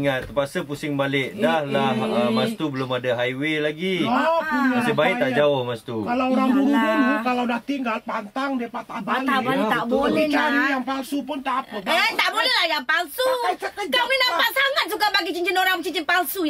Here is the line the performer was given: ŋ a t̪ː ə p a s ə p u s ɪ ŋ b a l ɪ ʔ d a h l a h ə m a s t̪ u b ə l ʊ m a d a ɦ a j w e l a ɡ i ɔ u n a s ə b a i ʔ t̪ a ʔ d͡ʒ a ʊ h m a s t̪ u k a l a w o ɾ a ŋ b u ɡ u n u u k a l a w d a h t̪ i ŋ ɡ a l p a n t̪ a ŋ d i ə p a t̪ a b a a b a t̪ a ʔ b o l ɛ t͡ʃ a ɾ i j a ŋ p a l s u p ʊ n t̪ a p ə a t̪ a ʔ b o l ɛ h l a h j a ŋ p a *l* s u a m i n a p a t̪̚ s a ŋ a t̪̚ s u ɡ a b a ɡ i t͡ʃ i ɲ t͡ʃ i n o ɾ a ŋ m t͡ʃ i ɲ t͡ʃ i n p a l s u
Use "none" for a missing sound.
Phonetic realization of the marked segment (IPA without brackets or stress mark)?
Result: l